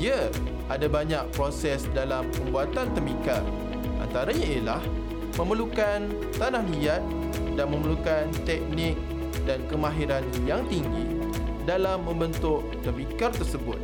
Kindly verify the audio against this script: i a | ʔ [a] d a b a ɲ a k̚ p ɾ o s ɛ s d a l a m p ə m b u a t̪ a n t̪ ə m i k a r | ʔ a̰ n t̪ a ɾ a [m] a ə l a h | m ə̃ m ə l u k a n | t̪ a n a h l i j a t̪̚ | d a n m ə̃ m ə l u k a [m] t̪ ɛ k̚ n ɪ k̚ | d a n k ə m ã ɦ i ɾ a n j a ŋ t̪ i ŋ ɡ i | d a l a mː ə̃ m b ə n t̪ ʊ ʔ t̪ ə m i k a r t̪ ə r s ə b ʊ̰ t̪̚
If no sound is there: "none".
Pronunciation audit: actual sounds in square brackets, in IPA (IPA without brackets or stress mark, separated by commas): a, ɲ, n